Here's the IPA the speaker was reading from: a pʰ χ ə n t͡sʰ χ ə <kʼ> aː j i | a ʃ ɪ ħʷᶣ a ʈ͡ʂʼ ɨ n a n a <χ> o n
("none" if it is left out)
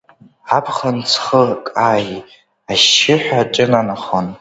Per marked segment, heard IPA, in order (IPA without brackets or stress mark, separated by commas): kʼ, χ